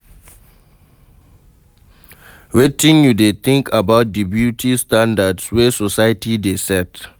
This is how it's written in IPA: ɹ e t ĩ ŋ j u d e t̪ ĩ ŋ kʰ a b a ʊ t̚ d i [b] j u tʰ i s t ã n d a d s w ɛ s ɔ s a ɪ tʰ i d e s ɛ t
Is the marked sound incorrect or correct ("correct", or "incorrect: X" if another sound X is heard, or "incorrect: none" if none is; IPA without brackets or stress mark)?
correct